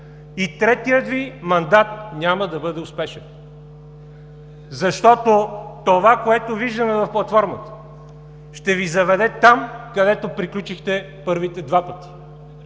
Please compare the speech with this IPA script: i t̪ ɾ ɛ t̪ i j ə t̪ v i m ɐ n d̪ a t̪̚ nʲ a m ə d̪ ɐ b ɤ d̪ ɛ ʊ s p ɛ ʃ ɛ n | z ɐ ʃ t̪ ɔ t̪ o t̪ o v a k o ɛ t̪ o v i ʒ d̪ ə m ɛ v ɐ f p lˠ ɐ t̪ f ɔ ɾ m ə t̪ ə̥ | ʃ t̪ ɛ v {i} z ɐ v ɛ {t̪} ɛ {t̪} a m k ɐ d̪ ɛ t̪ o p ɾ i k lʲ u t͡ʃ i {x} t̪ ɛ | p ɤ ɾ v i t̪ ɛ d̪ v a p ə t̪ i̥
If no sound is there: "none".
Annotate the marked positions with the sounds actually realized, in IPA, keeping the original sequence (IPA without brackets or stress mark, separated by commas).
i, d̪, t̪, x